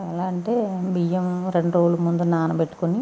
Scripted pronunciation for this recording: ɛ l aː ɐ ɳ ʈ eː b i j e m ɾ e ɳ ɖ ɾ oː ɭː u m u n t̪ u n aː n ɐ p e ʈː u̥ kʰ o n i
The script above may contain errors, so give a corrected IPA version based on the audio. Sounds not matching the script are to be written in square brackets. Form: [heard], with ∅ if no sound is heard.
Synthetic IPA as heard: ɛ l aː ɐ ɳ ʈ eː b i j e m ɾ e ɳ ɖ ɾ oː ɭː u m u n [d̪] u n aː n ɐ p e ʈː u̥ [k] o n i